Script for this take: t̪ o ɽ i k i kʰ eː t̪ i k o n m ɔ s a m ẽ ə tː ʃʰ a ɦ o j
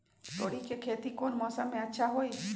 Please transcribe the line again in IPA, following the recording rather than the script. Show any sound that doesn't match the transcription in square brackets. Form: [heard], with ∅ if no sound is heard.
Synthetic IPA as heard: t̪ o ɽ i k [e] kʰ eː t̪ i k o n m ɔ s a m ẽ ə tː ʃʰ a ɦ o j